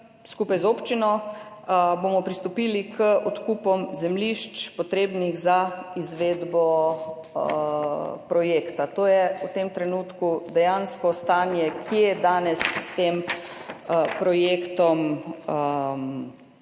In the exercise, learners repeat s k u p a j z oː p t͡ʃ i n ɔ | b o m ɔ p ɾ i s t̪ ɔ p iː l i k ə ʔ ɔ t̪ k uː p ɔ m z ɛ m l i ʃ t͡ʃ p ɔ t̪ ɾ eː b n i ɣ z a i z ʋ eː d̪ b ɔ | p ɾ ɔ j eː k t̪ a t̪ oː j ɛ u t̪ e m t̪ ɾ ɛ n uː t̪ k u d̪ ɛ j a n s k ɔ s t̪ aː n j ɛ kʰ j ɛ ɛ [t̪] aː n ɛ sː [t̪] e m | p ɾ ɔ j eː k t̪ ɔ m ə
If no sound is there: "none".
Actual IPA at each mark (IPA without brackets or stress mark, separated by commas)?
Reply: d̪, t̪